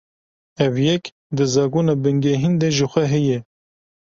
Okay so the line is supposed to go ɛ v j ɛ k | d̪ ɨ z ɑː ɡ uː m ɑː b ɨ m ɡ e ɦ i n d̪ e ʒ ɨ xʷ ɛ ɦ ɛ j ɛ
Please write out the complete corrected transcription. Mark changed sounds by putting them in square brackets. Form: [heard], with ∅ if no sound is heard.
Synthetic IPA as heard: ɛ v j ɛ k | d̪ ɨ z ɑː ɡ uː [n] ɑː b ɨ [ŋ] ɡ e ɦ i n d̪ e ʒ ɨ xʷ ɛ ɦ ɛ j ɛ